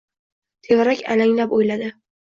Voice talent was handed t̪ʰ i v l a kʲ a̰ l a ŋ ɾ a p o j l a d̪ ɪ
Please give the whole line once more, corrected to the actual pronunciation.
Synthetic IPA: t̪ʰ e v ɾ a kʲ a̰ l a ŋ l a p o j l a d̪ ɪ